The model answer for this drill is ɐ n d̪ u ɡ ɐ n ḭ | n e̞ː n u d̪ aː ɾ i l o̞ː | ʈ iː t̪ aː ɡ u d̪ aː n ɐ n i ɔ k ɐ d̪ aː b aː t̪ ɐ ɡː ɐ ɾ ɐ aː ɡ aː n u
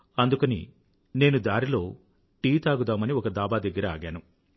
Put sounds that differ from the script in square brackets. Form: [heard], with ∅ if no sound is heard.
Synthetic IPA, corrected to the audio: ɐ n d̪ u [k] ɐ n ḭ | n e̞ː n u d̪ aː ɾ i l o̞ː | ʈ iː t̪ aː ɡ u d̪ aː [m] ɐ n i ɔ k ɐ d̪ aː b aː [d̪] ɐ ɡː ɐ ɾ ɐ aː ɡ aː n u

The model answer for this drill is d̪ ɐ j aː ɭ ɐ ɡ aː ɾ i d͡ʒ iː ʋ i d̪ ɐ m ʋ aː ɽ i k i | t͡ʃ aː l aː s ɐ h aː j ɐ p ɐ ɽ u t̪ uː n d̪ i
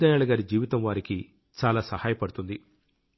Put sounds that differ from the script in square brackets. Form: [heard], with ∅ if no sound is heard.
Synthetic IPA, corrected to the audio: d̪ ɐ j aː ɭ ɐ ɡ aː ɾ i d͡ʒ iː ʋ i [t̪] ɐ m ʋ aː [ɾ] i k i | t͡ʃ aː l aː s ɐ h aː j ɐ p ɐ ɽ u t̪ [u] n d̪ i

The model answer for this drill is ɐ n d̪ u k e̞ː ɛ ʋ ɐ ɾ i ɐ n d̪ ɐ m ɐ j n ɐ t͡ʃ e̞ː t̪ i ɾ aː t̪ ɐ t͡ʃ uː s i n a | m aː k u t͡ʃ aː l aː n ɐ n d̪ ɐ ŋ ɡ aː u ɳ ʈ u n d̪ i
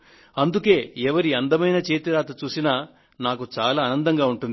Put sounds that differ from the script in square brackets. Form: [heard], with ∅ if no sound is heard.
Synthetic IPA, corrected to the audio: ɐ n d̪ u k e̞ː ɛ ʋ ɐ ɾ i ɐ n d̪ ɐ m ɐ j n ɐ t͡ʃ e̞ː t̪ i ɾ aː t̪ ɐ t͡ʃ uː s i n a | [n] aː k u t͡ʃ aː l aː n ɐ n d̪ ɐ ŋ ɡ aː u ɳ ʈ u n d̪ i

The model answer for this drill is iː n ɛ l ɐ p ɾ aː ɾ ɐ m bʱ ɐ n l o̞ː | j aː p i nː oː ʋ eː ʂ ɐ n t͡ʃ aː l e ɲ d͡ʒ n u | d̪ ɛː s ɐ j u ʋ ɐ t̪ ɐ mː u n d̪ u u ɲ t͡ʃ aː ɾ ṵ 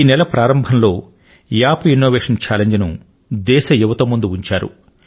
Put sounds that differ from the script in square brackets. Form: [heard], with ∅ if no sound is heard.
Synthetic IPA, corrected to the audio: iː n ɛ l ɐ p ɾ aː ɾ ɐ m bʱ ɐ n l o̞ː | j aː p i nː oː ʋ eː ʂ ɐ n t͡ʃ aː l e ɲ d͡ʒ n u | d̪ ɛː [ʃ] ɐ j u ʋ ɐ t̪ ɐ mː u n d̪ u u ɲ t͡ʃ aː ɾ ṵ

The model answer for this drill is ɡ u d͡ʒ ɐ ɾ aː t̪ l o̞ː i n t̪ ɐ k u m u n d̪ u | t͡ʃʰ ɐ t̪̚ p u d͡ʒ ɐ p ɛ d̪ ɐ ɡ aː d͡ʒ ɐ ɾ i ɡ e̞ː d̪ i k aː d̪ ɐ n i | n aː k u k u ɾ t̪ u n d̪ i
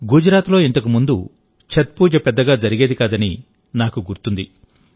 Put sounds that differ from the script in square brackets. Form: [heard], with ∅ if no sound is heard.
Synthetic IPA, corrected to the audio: ɡ u d͡ʒ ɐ ɾ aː t̪ l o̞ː i n t̪ ɐ k u m u n d̪ u | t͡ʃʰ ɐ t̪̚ p [uː] d͡ʒ ɐ p ɛ [d̪ː] ɐ ɡ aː d͡ʒ ɐ ɾ i ɡ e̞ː d̪ i k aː d̪ ɐ n i | n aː k u [ɡ] u ɾ t̪ u n d̪ i

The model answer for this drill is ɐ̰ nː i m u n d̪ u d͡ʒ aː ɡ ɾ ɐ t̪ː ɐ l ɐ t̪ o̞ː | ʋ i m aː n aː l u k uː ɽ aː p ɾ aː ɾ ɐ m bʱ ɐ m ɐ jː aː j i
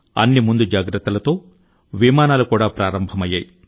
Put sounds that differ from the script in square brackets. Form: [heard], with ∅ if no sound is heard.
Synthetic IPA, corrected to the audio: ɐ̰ nː i m u n d̪ u d͡ʒ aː ɡ ɾ ɐ t̪ː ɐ l ɐ t̪ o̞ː | ʋ i m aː n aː l u k uː ɽ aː p ɾ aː ɾ ɐ m bʱ ɐ m ɐ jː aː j i

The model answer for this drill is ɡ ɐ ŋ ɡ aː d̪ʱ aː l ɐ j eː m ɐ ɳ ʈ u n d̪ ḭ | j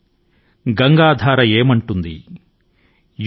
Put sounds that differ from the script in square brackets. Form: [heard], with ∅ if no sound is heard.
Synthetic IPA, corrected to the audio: ɡ ɐ ŋ ɡ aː d̪ʱ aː [ɾ] ɐ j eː m ɐ ɳ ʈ u n d̪ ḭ | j

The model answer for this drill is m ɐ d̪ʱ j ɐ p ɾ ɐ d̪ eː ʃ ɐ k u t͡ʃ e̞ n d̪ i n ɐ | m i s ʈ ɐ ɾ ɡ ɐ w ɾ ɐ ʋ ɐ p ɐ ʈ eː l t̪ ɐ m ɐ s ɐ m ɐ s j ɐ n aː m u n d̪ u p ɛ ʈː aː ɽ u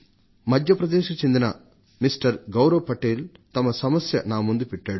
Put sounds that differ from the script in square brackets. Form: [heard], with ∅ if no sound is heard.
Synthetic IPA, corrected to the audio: m ɐ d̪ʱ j ɐ p ɾ ɐ d̪ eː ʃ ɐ k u t͡ʃ e̞ n d̪ i n ɐ | m i s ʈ ɐ ɾ ɡ ɐ w ɾ ɐ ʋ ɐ p ɐ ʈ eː l t̪ ɐ m ɐ s ɐ m ɐ s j ɐ n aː m u n d̪ u p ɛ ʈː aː ɽ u

